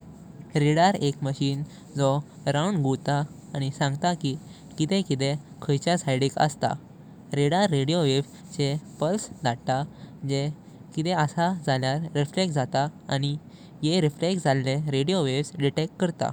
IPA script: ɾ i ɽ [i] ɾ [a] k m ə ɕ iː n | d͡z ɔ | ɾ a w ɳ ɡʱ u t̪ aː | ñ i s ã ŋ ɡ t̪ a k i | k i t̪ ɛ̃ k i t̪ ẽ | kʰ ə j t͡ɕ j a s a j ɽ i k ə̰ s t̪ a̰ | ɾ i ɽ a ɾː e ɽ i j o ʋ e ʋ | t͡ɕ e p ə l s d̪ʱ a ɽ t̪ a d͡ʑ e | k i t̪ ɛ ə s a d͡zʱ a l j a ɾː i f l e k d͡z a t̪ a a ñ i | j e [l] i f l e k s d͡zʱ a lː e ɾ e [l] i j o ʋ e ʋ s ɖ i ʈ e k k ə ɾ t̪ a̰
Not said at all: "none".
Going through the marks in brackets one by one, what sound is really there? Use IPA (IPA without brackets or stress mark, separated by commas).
a, e, ɾ, ɽ